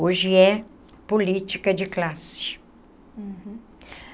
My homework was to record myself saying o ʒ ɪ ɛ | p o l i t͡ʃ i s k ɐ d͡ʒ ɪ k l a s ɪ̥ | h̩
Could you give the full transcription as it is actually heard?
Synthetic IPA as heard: o ʒ ɪ ɛ | p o l i t͡ʃ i k ɐ d͡ʒ ɪ k l a s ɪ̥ | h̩